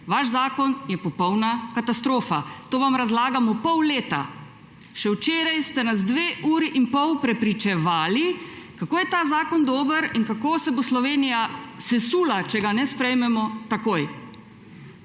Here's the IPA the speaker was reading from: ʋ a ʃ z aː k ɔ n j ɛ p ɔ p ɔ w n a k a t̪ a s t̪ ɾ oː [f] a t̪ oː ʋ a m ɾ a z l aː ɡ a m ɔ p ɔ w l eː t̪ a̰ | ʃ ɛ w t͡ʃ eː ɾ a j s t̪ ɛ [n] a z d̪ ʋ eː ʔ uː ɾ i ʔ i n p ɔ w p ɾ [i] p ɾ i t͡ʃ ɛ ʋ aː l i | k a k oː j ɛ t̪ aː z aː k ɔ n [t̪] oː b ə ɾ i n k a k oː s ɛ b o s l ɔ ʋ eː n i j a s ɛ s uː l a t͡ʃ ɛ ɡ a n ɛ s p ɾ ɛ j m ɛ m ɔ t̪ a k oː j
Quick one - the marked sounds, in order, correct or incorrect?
correct, correct, incorrect, incorrect

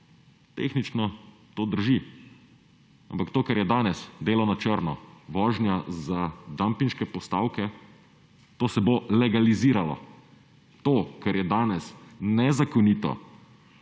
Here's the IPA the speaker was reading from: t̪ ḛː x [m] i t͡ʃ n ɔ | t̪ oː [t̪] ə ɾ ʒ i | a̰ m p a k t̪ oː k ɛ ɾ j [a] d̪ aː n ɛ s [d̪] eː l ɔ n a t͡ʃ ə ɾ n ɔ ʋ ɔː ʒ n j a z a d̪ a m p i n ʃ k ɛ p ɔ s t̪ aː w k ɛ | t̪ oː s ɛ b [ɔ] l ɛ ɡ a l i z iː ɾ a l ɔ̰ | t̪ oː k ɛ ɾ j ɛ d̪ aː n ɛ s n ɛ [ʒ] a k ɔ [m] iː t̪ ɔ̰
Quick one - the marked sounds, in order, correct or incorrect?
incorrect, incorrect, incorrect, correct, incorrect, incorrect, incorrect

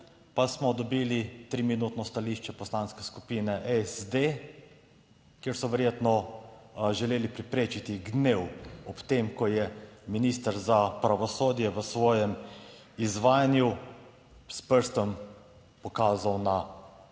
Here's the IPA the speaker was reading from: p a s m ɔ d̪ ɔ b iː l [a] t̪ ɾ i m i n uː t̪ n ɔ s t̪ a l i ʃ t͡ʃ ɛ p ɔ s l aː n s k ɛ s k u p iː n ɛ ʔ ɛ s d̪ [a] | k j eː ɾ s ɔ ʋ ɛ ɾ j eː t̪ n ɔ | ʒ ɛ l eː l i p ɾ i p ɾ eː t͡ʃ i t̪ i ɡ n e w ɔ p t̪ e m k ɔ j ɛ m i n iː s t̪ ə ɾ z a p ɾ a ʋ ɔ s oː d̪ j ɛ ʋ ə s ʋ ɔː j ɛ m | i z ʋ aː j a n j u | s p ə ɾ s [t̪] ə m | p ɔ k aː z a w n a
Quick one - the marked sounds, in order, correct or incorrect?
incorrect, incorrect, correct

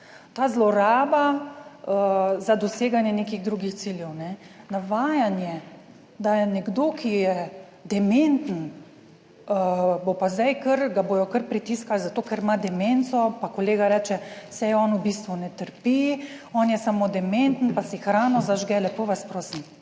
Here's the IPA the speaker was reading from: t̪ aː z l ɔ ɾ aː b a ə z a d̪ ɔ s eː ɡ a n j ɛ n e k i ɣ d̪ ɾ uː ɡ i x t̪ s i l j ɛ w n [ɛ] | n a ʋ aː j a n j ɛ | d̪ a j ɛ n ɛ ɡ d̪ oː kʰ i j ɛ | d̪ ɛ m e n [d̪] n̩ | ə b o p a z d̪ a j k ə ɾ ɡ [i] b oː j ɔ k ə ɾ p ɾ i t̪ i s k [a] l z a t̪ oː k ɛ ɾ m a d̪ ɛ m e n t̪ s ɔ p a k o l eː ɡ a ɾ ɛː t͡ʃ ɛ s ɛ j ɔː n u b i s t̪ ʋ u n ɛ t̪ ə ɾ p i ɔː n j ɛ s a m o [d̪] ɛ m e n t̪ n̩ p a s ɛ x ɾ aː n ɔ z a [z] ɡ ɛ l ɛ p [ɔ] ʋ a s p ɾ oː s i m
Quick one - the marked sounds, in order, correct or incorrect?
correct, incorrect, incorrect, correct, correct, incorrect, incorrect

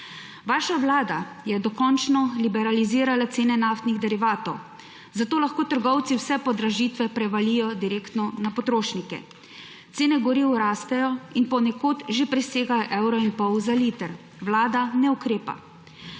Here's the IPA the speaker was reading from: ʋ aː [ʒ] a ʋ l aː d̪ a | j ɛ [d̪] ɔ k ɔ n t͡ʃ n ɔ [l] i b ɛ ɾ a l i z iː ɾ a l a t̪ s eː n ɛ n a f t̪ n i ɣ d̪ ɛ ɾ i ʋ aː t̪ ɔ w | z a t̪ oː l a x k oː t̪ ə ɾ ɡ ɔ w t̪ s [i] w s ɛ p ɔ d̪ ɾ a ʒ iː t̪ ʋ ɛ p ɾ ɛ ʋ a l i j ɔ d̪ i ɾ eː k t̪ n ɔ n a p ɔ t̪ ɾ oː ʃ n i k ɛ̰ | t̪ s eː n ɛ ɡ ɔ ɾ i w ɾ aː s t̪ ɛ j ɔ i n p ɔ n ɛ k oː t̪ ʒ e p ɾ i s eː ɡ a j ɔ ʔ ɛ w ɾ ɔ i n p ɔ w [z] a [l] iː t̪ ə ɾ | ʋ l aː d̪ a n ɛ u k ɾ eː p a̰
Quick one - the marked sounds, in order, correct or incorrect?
incorrect, correct, correct, correct, correct, correct

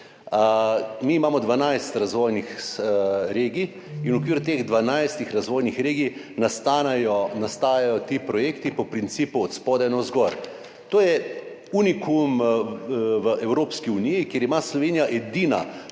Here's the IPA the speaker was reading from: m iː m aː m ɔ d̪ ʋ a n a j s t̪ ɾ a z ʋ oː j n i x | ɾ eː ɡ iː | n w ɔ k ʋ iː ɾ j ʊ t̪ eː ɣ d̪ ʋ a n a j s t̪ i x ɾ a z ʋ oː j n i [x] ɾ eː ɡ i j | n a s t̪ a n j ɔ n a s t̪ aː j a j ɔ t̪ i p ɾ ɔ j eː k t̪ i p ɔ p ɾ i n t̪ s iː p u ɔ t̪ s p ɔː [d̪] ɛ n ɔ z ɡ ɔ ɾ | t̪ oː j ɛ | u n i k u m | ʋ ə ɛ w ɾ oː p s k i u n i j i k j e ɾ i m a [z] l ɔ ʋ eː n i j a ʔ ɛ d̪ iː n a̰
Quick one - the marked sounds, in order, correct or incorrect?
correct, correct, incorrect

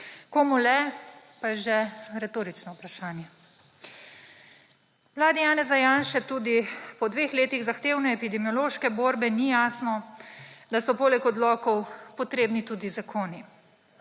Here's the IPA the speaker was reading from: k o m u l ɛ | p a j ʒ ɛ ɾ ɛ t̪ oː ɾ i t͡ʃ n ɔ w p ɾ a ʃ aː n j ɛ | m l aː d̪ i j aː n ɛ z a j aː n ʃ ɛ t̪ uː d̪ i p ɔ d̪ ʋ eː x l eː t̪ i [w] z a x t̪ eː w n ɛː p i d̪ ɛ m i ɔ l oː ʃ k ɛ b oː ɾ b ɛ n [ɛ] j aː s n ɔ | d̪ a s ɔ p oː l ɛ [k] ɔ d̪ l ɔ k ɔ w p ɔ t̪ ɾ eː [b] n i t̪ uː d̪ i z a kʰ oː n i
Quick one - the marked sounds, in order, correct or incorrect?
incorrect, incorrect, correct, correct

